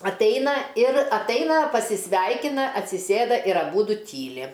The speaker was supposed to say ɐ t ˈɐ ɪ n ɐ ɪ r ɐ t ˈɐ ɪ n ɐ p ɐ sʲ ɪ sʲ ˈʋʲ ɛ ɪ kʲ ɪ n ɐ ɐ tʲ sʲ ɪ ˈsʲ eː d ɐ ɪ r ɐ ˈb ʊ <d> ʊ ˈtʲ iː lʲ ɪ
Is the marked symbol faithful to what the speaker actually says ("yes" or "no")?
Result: yes